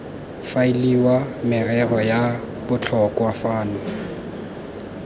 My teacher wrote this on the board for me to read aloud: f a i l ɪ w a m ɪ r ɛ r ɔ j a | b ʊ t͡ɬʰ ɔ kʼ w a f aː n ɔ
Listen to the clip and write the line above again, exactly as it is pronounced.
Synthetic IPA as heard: f a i l i w a m ɪ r ɛ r ɔ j a | b ʊ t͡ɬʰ ɔ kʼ w a f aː n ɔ